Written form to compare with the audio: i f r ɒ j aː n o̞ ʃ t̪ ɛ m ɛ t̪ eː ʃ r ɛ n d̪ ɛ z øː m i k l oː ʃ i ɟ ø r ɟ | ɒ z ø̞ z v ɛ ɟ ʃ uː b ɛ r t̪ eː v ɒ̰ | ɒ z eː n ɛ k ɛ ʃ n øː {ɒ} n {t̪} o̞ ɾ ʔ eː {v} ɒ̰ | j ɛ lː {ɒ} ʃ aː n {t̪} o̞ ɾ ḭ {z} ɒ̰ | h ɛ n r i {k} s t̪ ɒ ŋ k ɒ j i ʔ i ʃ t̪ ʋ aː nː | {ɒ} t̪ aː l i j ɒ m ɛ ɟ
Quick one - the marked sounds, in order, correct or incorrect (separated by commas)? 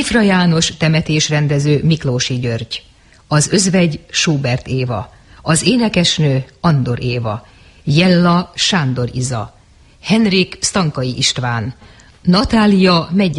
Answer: correct, incorrect, correct, correct, incorrect, correct, correct, correct